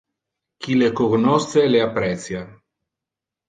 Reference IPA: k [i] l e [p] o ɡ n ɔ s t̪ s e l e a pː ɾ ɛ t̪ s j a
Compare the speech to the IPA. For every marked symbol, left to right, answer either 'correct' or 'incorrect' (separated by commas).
correct, incorrect